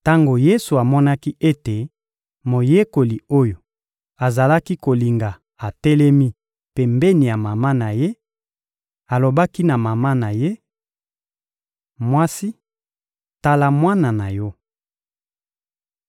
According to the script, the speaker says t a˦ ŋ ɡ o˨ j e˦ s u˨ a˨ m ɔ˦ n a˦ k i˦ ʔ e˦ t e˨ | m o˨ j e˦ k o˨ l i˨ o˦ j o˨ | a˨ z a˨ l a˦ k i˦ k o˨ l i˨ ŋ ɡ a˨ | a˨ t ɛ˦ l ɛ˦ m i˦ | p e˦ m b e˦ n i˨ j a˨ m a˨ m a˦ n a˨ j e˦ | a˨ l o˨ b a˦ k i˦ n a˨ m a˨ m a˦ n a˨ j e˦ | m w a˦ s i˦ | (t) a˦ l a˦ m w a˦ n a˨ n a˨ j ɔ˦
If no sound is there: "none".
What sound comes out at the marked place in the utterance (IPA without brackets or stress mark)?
t